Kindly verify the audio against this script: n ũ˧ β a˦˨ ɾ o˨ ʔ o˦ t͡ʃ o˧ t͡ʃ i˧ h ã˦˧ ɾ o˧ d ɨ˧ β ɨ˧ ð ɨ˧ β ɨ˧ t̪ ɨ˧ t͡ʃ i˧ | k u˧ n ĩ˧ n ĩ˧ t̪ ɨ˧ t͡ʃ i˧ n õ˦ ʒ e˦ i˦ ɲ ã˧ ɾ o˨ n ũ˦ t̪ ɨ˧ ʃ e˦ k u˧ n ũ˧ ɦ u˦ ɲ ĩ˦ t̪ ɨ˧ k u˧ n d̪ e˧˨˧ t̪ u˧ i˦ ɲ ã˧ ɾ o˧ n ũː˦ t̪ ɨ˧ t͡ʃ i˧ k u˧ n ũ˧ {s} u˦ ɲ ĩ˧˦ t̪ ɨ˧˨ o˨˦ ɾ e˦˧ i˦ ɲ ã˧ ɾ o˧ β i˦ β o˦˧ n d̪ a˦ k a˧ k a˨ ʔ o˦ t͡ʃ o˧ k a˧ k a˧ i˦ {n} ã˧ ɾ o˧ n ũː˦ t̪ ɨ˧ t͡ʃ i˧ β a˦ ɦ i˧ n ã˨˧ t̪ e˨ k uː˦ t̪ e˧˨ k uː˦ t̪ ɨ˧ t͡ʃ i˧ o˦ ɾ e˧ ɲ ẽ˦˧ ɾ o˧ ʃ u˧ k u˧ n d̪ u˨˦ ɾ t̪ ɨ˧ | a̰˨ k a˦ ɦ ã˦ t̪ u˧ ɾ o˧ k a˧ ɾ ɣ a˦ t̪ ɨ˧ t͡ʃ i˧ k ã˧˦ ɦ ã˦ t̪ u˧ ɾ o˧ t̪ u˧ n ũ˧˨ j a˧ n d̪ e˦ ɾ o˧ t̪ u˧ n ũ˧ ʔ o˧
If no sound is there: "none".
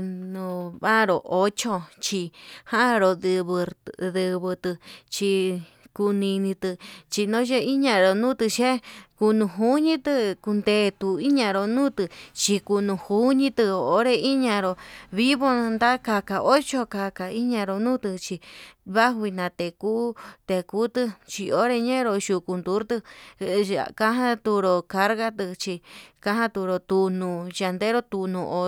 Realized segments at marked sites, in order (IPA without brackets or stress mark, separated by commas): h, ɲ